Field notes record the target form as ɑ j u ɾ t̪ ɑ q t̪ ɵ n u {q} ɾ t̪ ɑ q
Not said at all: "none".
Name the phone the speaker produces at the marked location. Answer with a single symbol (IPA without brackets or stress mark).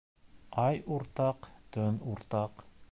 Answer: none